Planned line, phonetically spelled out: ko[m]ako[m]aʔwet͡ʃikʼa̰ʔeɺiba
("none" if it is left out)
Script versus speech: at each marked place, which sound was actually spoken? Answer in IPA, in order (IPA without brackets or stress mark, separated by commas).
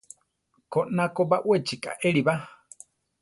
n, b